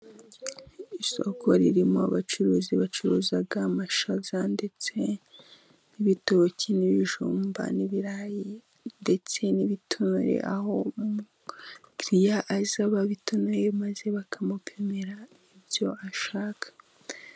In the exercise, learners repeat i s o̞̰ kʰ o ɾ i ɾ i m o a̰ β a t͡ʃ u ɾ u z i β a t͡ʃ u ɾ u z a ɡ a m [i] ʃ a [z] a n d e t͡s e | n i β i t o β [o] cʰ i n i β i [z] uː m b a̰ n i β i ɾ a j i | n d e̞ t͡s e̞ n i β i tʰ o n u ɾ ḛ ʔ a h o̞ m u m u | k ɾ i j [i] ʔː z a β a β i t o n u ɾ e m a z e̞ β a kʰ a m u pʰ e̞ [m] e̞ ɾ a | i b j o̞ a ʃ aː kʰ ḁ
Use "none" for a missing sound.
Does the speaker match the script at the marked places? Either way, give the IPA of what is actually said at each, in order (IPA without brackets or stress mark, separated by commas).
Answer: a, z, o, ʒ, a, m